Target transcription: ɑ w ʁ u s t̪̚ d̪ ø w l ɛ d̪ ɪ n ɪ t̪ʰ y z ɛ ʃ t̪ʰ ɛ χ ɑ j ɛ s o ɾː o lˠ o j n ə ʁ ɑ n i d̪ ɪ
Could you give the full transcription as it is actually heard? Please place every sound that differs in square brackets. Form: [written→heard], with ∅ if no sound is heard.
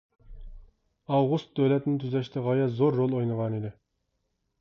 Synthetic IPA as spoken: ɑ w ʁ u s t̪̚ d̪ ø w l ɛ [d̪→t̪] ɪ n ɪ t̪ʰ y z ɛ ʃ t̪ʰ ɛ [χ→ʁ] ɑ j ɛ [s→z] o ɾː o lˠ o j n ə ʁ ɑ n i d̪ ɪ